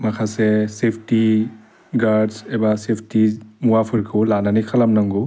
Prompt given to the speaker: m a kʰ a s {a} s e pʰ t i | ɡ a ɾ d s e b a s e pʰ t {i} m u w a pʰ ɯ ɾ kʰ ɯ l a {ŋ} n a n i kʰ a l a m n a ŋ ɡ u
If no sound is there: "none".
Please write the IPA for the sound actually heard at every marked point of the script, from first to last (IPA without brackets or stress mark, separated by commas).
e, i, none